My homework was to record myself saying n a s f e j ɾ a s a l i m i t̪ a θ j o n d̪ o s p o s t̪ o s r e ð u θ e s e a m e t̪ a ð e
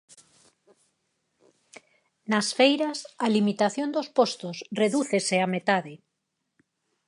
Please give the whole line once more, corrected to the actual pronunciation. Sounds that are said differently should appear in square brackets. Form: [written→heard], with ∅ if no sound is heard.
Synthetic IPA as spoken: n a s f e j ɾ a s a l i m i t̪ a θ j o n d̪ o s p o s t̪ o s r e ð u θ e s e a m e t̪ a ð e